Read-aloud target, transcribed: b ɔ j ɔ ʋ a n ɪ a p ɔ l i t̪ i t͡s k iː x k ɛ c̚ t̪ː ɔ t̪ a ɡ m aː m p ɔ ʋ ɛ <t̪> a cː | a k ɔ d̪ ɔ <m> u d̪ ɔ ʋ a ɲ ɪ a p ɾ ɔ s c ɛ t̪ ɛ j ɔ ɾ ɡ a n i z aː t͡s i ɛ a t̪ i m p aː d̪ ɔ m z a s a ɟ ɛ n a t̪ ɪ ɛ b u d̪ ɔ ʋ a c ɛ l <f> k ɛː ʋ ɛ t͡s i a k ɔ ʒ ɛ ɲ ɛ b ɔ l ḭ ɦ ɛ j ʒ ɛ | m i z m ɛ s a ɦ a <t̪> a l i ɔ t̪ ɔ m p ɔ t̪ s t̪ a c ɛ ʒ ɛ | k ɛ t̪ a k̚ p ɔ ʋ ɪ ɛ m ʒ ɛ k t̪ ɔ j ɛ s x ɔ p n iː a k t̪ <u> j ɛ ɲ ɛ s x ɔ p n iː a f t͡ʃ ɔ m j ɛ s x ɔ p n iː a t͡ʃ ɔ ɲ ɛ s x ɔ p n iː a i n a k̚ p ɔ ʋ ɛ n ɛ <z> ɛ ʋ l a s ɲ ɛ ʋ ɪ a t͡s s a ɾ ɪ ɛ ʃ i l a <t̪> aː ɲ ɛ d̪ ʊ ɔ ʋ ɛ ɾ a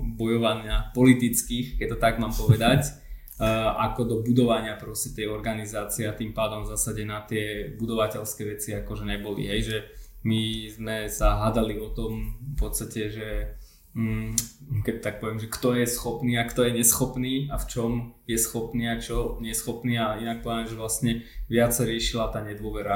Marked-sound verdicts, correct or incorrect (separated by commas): incorrect, incorrect, incorrect, incorrect, incorrect, incorrect, correct